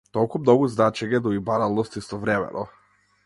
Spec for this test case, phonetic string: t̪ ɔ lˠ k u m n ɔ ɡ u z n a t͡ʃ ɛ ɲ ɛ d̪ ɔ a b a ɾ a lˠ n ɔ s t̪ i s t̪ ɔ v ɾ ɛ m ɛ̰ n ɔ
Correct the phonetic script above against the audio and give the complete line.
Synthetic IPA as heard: t̪ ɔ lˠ k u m n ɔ ɡ u z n a t͡ʃ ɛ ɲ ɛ d̪ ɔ i b a ɾ a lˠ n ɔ s t̪ i s t̪ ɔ v ɾ ɛ m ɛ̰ n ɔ